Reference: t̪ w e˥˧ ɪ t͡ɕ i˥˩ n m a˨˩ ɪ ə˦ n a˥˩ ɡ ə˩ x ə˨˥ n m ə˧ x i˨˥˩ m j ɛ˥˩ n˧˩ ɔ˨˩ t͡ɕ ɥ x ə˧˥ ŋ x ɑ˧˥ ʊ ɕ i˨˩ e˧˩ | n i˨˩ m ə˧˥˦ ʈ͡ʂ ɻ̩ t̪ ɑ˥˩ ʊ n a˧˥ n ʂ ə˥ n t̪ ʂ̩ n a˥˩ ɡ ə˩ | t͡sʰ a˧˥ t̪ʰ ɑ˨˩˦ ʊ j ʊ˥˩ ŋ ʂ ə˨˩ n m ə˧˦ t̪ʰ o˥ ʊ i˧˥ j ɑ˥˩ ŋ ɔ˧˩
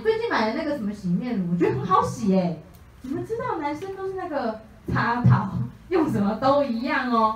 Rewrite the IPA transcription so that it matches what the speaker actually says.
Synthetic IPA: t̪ w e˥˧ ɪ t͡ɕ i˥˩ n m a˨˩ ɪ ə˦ n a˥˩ ɡ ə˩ ʂ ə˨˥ n m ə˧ ɕ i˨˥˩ m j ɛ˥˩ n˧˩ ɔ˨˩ t͡ɕ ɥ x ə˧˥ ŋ x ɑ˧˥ ʊ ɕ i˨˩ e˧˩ | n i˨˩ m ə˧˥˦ ʈ͡ʂ ɻ̩ t̪ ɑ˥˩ ʊ n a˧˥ n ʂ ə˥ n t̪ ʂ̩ n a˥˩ ɡ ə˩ | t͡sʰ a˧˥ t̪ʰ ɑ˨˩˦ ʊ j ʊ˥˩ ŋ ʂ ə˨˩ n m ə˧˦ t̪ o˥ ʊ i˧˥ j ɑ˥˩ ŋ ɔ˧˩